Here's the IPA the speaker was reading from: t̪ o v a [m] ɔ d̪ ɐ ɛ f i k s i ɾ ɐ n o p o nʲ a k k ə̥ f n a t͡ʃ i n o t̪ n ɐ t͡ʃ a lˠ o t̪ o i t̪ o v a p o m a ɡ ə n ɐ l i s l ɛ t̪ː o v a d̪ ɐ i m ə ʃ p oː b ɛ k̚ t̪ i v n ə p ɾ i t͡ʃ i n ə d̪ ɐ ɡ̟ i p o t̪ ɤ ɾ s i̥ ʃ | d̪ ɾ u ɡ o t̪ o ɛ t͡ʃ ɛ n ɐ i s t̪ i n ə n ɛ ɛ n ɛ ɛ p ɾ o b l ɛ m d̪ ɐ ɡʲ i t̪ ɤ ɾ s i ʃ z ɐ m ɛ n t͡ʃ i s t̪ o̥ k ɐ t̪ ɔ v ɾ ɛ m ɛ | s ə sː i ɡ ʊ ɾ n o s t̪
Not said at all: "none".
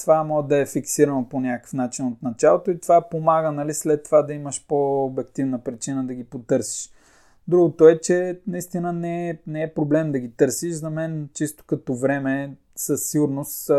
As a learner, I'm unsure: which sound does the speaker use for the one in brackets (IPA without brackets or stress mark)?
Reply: m